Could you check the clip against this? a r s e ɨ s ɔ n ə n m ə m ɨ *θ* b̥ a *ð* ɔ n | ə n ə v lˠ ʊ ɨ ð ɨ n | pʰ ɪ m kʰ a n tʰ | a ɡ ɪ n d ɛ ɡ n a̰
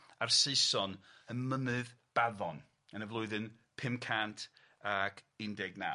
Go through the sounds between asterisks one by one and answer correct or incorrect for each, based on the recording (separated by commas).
incorrect, correct